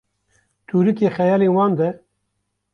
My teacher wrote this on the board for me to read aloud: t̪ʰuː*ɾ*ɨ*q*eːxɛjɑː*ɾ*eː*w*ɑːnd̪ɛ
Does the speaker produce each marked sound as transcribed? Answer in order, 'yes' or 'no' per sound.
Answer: yes, no, no, yes

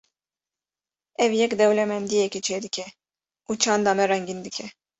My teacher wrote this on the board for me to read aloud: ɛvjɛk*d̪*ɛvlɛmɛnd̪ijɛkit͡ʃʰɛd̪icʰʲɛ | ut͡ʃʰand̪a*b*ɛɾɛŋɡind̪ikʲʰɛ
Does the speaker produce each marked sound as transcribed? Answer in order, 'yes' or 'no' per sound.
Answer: yes, no

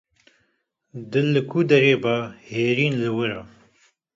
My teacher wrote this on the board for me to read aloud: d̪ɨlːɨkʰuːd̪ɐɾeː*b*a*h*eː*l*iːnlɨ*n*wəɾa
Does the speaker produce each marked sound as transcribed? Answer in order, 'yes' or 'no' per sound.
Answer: yes, yes, no, no

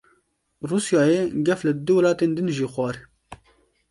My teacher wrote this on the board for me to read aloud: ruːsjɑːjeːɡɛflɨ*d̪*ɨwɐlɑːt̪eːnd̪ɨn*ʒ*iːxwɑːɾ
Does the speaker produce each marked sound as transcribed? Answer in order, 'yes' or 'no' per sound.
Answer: yes, yes

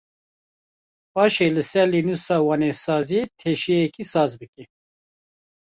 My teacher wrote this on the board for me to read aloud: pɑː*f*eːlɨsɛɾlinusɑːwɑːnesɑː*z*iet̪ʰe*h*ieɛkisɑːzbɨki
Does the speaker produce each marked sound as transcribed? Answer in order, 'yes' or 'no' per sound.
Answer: no, yes, no

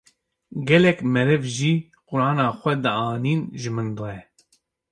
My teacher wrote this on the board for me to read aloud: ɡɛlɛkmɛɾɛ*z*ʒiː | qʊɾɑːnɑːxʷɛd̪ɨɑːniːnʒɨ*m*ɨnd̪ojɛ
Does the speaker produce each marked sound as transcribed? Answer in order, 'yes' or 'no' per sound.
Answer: no, yes

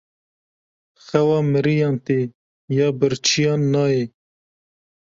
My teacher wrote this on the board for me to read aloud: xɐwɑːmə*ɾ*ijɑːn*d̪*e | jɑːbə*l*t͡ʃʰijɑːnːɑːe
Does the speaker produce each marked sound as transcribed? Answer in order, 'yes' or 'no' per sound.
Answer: yes, no, no

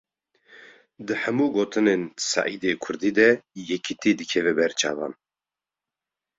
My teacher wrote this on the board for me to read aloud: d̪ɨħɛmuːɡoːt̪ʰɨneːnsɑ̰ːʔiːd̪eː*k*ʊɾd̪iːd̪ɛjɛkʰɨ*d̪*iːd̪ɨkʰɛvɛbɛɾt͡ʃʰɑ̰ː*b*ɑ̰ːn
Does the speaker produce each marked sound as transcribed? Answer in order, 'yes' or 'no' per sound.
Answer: no, no, no

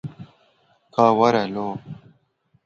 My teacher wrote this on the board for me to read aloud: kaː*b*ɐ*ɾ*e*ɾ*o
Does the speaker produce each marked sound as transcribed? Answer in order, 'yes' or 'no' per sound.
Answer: no, yes, no

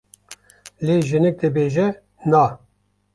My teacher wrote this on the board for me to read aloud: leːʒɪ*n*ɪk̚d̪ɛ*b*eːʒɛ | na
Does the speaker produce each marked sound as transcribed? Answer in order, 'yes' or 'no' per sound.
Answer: yes, yes

